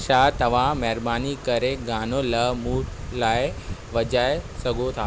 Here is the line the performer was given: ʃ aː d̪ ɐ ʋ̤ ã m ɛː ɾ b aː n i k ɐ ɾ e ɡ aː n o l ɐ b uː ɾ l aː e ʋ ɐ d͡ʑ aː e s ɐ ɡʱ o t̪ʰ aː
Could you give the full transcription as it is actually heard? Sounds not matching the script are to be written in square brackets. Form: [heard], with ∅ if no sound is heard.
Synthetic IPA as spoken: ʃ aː [t̪] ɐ ʋ̤ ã m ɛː ɾ b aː n i k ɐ ɾ e ɡ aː n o l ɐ [m] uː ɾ l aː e ʋ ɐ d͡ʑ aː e s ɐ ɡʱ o t̪ʰ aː